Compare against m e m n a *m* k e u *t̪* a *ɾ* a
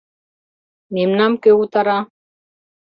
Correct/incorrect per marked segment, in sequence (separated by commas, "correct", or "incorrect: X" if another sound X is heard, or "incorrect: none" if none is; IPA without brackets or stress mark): correct, correct, correct